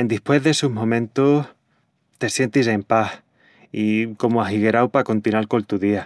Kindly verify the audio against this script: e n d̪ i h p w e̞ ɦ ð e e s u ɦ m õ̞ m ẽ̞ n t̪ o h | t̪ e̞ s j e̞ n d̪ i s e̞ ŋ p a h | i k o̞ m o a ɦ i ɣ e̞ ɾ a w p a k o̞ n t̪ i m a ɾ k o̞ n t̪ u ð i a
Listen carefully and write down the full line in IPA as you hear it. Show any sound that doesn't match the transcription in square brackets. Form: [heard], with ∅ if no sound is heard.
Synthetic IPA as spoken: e n d̪ i h p w e̞ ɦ ð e e s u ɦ m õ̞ m ẽ̞ n t̪ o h | t̪ e̞ s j e̞ n [t̪] i s e̞ [m] p a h | i k o̞ m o a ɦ i ɣ e̞ ɾ a w p a k o̞ n t̪ i [n] a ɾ k o̞ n t̪ u ð i a